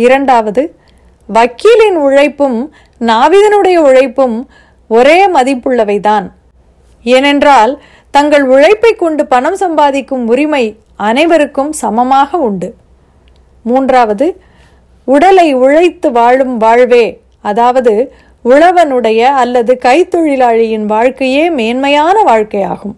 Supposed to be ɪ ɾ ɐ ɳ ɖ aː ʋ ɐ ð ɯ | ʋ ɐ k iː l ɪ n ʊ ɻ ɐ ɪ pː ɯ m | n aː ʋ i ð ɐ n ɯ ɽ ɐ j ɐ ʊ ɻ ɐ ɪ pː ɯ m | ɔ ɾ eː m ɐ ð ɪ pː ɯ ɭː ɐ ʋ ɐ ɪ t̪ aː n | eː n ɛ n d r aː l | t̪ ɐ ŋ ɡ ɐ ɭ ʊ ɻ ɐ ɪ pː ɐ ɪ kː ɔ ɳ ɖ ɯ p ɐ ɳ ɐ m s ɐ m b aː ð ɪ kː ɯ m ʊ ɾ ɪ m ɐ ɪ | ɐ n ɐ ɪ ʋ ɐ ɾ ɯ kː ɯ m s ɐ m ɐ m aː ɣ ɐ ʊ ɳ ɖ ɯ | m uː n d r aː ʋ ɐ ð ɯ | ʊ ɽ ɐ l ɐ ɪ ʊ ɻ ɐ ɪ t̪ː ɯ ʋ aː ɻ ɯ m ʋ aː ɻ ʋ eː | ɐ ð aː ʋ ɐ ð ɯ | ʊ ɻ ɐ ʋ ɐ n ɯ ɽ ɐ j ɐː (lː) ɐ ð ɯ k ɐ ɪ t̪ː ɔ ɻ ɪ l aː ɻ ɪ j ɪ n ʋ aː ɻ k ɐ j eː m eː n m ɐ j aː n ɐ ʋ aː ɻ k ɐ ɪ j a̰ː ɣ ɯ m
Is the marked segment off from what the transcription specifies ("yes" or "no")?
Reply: no